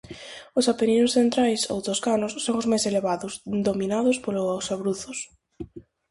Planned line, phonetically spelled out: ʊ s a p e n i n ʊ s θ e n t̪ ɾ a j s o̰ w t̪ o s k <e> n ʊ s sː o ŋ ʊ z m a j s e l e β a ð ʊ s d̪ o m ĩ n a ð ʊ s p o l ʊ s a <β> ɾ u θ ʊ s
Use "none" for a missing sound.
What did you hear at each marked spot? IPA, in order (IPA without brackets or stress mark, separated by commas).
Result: a, β